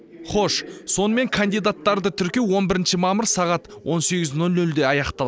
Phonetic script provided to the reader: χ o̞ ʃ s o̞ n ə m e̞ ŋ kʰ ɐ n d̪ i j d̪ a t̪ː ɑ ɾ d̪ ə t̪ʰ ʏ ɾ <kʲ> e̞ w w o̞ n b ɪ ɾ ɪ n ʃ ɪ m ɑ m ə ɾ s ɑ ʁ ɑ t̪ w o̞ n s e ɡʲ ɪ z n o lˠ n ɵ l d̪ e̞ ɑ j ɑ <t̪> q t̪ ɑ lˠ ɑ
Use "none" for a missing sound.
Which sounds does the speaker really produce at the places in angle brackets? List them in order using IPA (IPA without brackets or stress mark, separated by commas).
kʲ, none